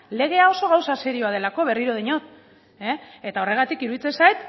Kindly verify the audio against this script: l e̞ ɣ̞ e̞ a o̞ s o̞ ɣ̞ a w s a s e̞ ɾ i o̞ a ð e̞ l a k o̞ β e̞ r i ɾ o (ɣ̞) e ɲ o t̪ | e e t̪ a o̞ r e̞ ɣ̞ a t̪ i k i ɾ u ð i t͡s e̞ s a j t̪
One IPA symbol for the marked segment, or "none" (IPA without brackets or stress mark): ð̞